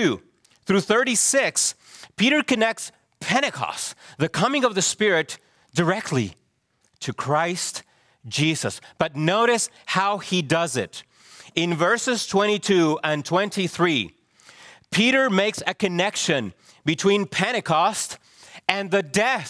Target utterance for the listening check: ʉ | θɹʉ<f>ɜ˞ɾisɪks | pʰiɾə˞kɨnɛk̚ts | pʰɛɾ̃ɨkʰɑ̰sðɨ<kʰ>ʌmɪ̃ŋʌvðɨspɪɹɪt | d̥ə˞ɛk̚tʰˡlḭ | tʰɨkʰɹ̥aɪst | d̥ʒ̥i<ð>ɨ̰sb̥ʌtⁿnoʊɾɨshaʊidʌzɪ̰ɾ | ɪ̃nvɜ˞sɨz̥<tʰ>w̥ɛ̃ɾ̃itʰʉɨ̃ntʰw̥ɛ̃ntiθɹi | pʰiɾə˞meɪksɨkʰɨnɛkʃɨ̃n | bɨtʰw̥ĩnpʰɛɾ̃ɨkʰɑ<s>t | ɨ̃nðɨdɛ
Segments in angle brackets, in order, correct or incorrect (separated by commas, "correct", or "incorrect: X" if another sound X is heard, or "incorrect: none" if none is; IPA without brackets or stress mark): incorrect: θ, correct, incorrect: z, correct, correct